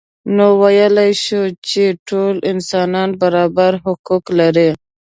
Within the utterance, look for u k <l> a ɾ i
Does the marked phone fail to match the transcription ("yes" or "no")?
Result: no